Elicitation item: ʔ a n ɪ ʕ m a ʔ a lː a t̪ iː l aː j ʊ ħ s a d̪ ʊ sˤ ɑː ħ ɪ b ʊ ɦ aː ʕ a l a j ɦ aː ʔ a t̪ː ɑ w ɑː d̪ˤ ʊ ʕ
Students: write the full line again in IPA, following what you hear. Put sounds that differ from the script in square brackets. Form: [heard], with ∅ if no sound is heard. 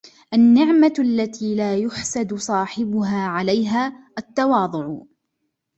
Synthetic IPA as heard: ʔ a [nː] ɪ ʕ m a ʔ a lː a t̪ iː l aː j ʊ ħ s a d̪ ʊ sˤ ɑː ħ ɪ b ʊ ɦ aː ʕ a l a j ɦ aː ʔ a t̪ː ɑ w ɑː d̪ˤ ʊ ʕ